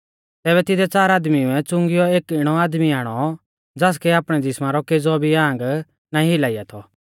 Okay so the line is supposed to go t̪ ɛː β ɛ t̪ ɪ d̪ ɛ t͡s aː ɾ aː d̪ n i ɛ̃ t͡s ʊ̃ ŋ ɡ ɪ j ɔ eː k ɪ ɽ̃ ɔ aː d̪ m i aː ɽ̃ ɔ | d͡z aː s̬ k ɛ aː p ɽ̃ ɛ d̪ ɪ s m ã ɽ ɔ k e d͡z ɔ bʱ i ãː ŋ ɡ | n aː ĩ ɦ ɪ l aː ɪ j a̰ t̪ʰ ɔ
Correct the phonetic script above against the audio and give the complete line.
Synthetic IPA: t̪ ɛː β ɛ t̪ ɪ d̪ ɛ t͡s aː ɾ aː d̪ m i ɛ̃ t͡s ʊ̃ ŋ ɡ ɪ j ɔ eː k ɪ ɽ̃ ɔ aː d̪ m i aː ɽ̃ ɔ | d͡z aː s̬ k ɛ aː p ɽ̃ ɛ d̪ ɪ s m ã ɾ ɔ k e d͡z ɔ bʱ i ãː ŋ ɡ | n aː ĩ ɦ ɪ l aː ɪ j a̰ t̪ʰ ɔ